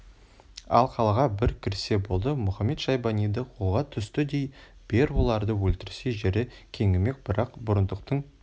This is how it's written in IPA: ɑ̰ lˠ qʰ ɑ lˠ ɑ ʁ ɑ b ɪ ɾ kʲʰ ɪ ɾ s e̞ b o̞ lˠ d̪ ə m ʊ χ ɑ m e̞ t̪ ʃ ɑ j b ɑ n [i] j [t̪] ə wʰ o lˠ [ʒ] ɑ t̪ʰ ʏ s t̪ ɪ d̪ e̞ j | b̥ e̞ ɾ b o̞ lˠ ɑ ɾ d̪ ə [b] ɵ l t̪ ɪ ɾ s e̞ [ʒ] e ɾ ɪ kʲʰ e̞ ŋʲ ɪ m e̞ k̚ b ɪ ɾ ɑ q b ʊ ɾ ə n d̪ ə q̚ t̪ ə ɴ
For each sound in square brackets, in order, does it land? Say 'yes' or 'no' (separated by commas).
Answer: yes, no, no, no, yes